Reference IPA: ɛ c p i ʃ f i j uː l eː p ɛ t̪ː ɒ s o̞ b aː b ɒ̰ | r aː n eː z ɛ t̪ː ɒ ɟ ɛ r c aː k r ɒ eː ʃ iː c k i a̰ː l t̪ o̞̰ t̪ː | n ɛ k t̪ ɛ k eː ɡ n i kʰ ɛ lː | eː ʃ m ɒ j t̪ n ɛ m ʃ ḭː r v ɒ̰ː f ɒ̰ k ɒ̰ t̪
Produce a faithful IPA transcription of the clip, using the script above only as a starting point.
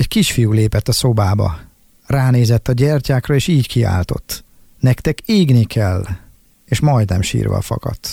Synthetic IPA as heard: ɛ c k i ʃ f i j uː l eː p ɛ t̪ː ɒ s o̞ b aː b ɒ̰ | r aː n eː z ɛ t̪ː ɒ ɟ ɛ r c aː k r ɒ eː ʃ iː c k i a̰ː l t̪ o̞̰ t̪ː | n ɛ k t̪ ɛ k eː ɡ n i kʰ ɛ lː | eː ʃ m ɒ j d̪ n ɛ m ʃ ḭː r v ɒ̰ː f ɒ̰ k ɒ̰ t̪